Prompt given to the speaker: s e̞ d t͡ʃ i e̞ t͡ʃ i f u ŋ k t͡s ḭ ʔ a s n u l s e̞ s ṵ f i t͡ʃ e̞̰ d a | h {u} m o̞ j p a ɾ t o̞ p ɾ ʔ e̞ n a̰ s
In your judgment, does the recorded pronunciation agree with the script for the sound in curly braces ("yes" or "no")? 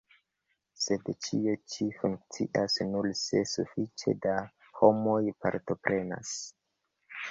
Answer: no